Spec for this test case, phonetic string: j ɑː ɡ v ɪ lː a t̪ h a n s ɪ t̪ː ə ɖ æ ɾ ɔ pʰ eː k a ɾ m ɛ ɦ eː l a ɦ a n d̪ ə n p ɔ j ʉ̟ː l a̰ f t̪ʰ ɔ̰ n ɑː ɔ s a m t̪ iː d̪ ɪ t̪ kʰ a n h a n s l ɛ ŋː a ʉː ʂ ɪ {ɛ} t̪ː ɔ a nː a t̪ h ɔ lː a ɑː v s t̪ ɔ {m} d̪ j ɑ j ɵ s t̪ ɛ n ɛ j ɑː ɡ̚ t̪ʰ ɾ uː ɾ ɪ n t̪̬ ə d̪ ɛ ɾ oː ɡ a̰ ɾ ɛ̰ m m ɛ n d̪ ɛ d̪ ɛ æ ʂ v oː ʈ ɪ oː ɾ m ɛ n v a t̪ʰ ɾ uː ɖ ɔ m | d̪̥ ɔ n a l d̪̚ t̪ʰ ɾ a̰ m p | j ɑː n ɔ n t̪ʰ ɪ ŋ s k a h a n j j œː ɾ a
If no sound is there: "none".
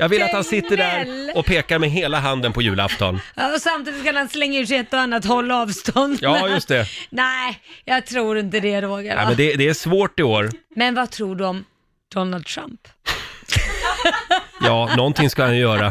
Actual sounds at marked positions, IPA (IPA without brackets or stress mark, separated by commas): ɛ, n